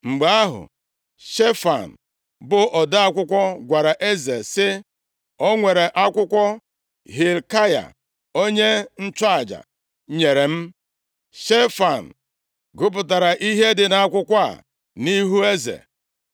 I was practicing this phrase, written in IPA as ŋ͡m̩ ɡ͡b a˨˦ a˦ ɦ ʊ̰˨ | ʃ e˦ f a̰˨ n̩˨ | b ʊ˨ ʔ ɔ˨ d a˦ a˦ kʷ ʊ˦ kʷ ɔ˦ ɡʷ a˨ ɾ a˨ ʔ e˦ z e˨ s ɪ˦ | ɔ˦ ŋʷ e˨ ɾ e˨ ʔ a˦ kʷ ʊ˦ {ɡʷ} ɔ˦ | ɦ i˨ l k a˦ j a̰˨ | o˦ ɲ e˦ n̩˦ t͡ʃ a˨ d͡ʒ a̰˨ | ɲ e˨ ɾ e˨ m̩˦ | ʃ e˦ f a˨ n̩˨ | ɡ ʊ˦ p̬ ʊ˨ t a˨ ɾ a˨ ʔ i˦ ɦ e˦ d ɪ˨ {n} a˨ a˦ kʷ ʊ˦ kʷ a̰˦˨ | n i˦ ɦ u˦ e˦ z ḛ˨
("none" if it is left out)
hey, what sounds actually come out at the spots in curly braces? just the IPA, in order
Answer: kʷ, n

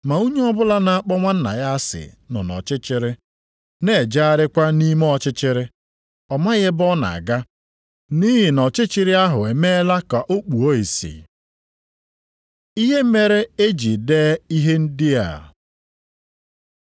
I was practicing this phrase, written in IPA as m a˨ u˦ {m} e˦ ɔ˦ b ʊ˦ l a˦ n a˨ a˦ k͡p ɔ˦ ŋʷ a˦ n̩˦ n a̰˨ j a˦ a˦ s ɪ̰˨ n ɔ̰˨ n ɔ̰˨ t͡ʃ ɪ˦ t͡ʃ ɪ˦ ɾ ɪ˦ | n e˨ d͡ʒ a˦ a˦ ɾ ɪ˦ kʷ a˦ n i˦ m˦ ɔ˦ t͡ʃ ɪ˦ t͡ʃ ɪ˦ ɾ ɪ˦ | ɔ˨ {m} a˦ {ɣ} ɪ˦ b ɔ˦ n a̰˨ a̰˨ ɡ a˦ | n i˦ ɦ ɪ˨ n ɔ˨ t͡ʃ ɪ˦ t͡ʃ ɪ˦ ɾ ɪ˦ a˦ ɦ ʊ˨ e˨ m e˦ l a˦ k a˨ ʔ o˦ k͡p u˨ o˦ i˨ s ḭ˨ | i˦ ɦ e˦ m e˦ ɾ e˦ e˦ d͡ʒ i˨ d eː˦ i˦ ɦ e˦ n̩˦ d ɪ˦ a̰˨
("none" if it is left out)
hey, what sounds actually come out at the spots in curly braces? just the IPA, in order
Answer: ɲ, m, ɣ

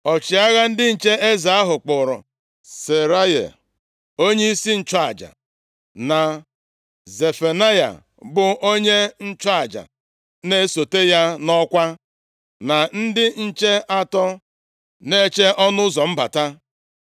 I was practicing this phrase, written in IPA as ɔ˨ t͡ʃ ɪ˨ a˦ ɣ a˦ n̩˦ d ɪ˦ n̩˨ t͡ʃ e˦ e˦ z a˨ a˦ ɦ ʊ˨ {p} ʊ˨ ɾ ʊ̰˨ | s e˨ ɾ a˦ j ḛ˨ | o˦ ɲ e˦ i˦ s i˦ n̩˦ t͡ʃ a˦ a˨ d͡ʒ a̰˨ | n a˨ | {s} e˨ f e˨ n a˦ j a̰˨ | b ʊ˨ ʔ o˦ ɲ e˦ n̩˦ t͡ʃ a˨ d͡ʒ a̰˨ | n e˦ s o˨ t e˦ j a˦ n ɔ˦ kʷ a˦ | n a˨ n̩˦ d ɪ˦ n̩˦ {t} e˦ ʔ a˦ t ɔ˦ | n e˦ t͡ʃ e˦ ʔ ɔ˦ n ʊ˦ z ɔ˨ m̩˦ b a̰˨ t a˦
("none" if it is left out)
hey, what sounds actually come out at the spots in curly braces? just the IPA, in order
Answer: k͡p, z, t͡ʃ

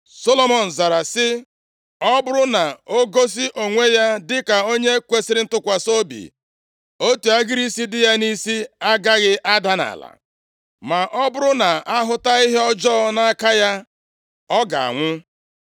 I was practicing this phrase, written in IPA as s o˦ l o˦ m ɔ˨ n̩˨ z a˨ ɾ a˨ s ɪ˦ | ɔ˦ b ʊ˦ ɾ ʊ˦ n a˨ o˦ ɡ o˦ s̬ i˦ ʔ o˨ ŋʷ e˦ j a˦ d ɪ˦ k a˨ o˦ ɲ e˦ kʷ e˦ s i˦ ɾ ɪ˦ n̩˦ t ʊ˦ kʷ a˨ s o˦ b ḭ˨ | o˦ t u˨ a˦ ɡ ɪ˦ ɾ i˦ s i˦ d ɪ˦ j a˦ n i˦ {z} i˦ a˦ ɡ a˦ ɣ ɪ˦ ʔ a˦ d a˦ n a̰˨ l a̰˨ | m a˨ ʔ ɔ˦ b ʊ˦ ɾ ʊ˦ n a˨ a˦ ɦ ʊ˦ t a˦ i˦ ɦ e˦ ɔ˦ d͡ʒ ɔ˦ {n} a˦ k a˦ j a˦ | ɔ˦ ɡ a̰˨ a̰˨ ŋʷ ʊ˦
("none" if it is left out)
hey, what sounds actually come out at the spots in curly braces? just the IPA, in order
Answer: s, n

